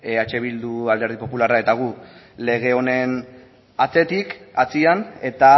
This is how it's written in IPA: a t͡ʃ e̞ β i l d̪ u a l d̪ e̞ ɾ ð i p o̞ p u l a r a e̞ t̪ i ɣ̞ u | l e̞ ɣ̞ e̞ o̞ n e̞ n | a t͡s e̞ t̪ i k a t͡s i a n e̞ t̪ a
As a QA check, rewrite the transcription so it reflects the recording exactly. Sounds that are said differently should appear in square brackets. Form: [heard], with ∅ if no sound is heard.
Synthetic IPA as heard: a t͡ʃ e̞ β i l d̪ u a l d̪ e̞ ɾ ð i p o̞ p u l a r a e̞ t̪ [a] ɣ̞ u | l e̞ ɣ̞ e̞ o̞ n e̞ n | a t͡s e̞ t̪ i k a t͡s i a n e̞ t̪ a